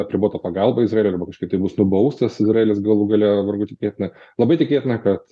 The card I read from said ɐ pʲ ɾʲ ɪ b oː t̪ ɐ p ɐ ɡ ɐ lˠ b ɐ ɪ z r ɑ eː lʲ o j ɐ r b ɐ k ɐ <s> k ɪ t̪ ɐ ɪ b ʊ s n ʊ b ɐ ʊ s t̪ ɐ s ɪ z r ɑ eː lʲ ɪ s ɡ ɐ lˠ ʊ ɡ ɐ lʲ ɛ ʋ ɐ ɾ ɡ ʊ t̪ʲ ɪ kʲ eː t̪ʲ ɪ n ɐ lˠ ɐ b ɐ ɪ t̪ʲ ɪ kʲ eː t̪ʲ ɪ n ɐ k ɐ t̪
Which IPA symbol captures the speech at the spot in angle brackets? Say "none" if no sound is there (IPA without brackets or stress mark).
ʃ